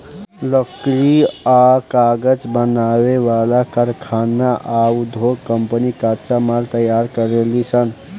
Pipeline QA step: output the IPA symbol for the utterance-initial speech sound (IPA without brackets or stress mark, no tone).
l